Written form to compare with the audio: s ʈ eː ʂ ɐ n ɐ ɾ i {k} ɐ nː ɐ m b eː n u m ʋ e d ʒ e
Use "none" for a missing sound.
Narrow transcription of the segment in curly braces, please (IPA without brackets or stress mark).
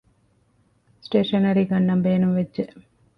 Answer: ɡ